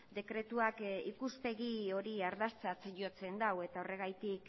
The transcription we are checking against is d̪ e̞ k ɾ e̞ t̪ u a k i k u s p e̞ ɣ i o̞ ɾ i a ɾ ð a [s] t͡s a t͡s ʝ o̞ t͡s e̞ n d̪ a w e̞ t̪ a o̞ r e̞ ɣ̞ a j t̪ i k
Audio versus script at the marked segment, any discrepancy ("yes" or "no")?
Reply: no